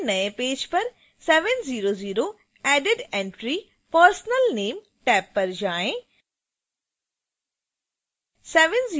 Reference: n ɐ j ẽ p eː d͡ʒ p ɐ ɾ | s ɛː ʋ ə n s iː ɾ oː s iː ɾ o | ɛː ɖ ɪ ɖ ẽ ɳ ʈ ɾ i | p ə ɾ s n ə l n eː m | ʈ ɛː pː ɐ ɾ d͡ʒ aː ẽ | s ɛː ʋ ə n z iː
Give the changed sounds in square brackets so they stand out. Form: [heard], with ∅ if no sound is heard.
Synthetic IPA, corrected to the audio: n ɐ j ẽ p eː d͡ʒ p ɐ ɾ | s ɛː ʋ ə n [z] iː ɾ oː [z] iː ɾ o | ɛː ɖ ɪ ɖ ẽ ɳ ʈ ɾ i | p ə ɾ s n ə l n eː m | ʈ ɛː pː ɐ ɾ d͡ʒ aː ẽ | s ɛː ʋ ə n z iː